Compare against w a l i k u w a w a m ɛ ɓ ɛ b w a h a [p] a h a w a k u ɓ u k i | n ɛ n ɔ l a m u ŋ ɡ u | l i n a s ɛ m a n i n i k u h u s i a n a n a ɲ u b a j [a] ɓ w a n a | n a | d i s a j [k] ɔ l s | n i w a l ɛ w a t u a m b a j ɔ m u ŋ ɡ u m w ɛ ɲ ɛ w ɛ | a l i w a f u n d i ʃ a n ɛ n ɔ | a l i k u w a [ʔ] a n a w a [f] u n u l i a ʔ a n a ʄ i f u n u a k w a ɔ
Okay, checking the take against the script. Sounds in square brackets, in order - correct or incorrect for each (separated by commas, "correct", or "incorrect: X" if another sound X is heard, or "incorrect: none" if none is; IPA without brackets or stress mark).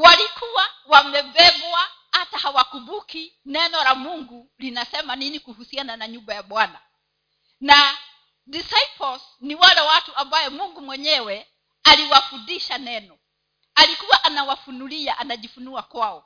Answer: incorrect: t, correct, incorrect: p, correct, correct